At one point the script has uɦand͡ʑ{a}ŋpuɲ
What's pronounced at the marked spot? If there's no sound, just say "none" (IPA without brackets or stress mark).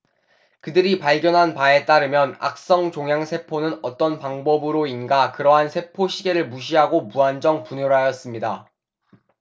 ʌ